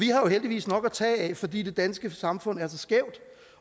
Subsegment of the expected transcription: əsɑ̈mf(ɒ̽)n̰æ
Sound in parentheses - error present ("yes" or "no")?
yes